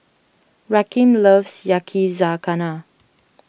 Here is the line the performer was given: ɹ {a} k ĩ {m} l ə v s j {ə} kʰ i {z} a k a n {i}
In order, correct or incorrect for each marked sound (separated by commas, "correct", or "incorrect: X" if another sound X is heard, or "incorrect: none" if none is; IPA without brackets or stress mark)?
correct, correct, incorrect: a, correct, incorrect: a